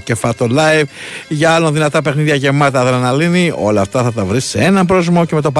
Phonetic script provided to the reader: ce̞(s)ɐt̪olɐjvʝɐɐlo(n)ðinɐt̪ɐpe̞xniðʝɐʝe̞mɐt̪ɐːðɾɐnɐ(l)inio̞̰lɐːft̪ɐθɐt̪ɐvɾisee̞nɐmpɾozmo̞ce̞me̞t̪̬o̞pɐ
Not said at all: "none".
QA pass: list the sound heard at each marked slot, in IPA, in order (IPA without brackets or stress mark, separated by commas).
f, n, l